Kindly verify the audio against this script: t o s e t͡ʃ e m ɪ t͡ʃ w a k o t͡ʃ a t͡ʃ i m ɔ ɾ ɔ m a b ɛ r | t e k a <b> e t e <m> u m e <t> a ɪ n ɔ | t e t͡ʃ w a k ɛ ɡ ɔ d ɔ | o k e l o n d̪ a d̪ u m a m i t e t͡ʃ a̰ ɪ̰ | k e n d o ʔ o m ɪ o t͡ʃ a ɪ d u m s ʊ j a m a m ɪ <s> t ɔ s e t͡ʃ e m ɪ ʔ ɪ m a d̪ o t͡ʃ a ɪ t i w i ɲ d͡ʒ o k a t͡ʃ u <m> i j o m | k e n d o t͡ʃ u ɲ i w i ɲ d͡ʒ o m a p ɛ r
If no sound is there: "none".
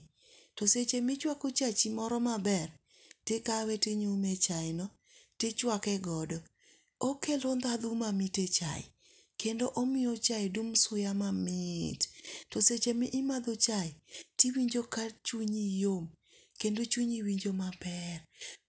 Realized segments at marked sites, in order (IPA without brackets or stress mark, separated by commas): w, ɲ, t͡ʃ, t, ɲ